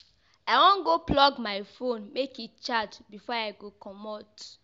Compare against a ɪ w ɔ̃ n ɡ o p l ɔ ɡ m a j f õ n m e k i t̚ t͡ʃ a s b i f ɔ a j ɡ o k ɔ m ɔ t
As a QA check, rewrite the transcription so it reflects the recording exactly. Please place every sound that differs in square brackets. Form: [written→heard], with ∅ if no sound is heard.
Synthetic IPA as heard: a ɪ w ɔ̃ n ɡ o p l ɔ ɡ m a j f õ n m e k i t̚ t͡ʃ a [s→t] b i f ɔ a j ɡ o k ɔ m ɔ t